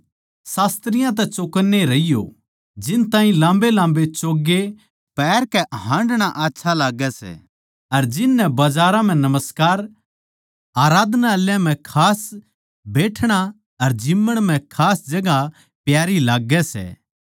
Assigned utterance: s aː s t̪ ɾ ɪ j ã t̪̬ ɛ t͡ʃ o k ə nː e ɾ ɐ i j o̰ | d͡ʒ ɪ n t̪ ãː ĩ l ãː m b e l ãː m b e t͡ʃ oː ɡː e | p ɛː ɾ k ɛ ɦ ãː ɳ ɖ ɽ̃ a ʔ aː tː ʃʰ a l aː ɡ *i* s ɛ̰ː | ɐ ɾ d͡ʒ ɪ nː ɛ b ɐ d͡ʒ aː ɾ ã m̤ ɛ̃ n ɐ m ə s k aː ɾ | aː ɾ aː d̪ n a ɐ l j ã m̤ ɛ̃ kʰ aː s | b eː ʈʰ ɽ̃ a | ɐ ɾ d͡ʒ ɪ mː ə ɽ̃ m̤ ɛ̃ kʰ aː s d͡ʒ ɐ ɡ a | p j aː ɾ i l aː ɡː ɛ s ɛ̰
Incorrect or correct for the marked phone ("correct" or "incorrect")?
incorrect